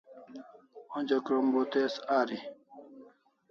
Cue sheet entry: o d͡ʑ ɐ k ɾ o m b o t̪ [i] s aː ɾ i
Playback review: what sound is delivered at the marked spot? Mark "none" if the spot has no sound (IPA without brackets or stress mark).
e